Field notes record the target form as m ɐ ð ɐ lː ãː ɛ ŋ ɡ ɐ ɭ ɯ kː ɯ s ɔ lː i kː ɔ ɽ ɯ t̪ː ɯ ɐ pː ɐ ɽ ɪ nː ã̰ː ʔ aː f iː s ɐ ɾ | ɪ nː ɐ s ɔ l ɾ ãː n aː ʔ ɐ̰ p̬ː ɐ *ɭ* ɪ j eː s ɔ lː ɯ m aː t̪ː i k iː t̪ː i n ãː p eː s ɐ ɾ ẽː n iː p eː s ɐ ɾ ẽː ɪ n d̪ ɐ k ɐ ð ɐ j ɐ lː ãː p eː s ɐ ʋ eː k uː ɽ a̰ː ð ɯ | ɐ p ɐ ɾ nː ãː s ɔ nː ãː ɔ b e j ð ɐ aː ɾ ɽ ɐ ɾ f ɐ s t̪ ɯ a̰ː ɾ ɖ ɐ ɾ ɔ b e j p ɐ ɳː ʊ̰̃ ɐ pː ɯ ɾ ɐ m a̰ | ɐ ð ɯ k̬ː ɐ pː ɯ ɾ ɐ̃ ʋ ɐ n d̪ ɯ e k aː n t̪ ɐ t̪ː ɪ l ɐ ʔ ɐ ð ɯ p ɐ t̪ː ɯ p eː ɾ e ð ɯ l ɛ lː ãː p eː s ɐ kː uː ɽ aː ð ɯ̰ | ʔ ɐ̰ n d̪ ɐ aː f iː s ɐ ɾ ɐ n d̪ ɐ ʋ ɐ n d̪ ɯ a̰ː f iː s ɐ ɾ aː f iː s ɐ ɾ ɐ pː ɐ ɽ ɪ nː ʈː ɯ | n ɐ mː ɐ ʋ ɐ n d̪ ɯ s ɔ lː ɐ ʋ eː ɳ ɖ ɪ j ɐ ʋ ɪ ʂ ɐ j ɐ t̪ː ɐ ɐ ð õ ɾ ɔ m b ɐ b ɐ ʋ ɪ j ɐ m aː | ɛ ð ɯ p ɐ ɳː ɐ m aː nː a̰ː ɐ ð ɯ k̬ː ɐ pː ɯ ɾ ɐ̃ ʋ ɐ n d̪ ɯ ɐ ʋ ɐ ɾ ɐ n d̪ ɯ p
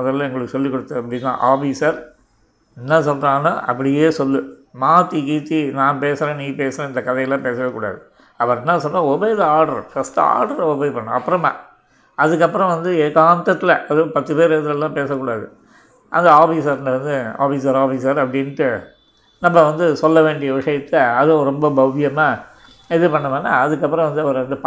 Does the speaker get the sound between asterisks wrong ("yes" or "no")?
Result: yes